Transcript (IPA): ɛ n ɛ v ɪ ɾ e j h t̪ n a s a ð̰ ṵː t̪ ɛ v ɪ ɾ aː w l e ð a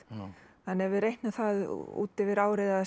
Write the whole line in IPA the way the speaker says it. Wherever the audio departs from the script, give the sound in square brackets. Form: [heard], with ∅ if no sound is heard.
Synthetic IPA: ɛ n ɛ v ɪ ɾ e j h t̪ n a [θ] a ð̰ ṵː t̪ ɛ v ɪ ɾ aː w [ɾ] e ð a

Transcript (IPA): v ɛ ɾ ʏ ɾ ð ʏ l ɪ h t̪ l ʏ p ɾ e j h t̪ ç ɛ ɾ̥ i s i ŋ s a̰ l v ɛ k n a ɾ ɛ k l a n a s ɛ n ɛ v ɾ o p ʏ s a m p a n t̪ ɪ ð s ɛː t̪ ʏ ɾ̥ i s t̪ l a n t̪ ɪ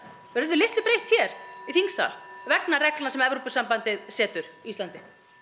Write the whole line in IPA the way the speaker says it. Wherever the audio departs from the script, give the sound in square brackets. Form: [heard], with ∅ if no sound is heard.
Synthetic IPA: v ɛ ɾ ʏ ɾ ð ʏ l ɪ h t̪ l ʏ p ɾ e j h t̪ ç ɛ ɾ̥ i [θ] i ŋ s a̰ l v ɛ k n a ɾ ɛ k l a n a s ɛ [m] ɛ v ɾ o p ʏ s a m p a n t̪ ɪ ð s ɛː t̪ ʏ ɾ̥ i s t̪ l a n t̪ ɪ

